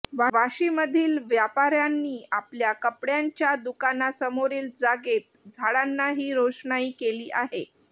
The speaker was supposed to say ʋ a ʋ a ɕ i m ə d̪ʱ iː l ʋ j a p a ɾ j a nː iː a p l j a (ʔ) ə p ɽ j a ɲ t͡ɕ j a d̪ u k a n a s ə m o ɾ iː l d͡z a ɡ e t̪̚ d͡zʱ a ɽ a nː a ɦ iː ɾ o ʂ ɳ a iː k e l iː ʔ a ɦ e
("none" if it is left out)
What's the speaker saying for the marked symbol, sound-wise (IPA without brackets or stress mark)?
k